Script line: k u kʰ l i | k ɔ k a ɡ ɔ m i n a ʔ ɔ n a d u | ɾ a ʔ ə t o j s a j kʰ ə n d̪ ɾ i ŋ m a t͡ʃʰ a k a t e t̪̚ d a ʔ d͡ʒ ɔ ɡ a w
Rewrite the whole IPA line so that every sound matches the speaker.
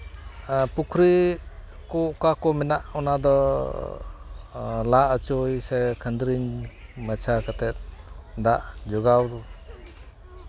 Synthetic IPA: p u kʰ ɾ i | k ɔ k a k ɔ m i n a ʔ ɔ n a d ɔ | l a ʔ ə t͡ʃ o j s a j kʰ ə n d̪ ɾ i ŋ m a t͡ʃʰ a k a t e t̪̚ d a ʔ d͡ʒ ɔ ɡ a w